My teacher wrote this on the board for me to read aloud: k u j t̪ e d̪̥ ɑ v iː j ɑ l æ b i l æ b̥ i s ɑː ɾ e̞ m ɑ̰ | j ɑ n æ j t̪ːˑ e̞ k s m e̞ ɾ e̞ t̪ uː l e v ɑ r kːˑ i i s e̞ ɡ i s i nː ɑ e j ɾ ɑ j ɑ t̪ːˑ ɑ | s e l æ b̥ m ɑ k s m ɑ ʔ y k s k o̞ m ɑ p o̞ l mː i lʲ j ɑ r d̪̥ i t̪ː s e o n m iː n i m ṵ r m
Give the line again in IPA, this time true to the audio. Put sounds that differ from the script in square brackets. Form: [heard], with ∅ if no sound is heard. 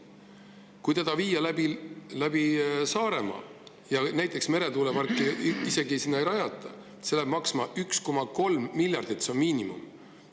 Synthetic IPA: k u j t̪ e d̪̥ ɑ v iː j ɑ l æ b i l æ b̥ i s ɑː ɾ e̞ m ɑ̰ | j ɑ n æ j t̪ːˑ e̞ k s m e̞ ɾ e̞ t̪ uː l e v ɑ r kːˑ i i s e̞ ɡ i s i nː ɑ e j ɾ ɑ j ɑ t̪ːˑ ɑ | s e l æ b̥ m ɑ k s m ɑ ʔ y k s k o̞ m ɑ [k] o̞ l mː i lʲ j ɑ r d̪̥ i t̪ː s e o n m iː n i m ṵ [∅] m

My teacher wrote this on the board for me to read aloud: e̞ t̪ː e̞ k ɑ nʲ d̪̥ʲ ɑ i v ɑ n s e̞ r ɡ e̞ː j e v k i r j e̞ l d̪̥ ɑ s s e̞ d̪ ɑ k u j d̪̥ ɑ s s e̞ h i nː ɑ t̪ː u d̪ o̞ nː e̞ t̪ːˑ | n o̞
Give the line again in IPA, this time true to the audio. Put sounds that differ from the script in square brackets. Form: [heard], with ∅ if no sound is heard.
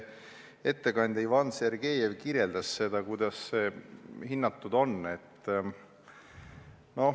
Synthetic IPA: e̞ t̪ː e̞ k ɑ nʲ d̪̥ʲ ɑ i v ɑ n s e̞ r ɡ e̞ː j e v k i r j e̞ l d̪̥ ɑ s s e̞ d̪ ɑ k u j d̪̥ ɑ s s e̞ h i nː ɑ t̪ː u d̪ o̞ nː e̞ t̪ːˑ | n o̞

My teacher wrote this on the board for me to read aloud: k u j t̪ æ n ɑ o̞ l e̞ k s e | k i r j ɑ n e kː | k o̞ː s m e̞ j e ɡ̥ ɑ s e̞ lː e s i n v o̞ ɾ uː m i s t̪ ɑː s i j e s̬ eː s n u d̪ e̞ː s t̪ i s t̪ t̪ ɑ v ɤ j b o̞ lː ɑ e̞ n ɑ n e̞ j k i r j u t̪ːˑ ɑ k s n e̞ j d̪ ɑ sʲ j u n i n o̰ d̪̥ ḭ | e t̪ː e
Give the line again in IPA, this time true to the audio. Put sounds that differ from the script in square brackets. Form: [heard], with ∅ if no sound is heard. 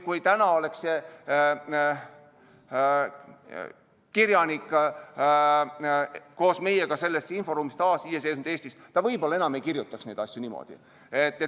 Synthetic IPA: k u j t̪ æ n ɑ o̞ l e̞ k s e | k i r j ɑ n [i] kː | k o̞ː s m e̞ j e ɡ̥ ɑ s e̞ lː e s i n [f] o̞ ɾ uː m i s t̪ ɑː s i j e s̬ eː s n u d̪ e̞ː s t̪ i s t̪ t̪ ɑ v ɤ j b o̞ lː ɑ e̞ n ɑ [m] e̞ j k i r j u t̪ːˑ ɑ k s n e̞ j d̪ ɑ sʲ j u n i [m] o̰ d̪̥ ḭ | e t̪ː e

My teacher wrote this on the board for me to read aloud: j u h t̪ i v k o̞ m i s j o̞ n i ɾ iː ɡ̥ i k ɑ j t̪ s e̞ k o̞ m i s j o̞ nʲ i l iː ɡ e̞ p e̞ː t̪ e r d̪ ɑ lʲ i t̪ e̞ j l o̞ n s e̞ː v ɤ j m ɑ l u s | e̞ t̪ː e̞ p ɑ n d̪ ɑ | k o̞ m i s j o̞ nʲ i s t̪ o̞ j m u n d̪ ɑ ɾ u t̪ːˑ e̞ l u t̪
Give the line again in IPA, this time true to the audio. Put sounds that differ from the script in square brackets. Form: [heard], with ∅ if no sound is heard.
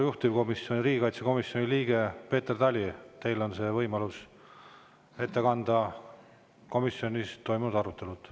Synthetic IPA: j u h t̪ i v k o̞ m i s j o̞ n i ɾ iː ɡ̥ i k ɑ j t̪ s e̞ k o̞ m i s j o̞ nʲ i l iː ɡ e̞ p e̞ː t̪ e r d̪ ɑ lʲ i t̪ e̞ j l o̞ n s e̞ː v ɤ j m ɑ l u s | e̞ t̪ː e̞ [k] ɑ n d̪ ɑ | k o̞ m i s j o̞ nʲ i s t̪ o̞ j m u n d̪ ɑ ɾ u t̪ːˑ e̞ l u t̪

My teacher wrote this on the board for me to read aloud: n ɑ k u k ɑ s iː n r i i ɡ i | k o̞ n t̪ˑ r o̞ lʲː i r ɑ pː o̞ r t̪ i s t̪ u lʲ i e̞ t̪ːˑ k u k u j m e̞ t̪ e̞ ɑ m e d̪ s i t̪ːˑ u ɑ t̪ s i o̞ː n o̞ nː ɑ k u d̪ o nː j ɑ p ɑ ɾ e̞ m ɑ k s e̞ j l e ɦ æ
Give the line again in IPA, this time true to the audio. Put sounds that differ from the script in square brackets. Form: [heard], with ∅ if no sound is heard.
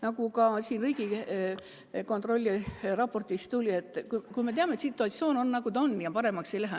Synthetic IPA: n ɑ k u k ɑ s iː n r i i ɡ i | k o̞ n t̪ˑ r o̞ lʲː i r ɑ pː o̞ r t̪ i s t̪ u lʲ i e̞ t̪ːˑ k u k u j m e̞ t̪ e̞ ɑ m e [t̪] s i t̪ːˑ u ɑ t̪ s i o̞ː n o̞ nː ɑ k u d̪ o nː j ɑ p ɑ ɾ e̞ m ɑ k s e̞ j l [æ] ɦ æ

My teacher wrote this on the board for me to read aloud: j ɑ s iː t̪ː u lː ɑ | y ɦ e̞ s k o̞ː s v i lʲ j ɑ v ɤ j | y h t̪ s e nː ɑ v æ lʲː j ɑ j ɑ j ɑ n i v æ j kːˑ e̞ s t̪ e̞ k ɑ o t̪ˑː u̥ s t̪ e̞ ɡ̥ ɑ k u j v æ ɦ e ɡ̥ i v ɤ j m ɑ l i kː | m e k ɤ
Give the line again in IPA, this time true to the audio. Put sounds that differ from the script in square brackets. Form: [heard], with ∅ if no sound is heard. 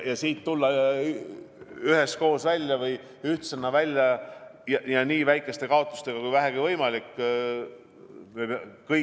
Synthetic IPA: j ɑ s iː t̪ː u lː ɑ | y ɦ e̞ s k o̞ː s v [æ] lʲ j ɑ v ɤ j | y h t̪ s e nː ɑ v æ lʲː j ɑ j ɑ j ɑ n [iː] v æ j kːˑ e̞ s t̪ e̞ k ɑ o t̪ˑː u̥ s t̪ e̞ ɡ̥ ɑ k u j v æ ɦ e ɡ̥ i v ɤ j m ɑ l i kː | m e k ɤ

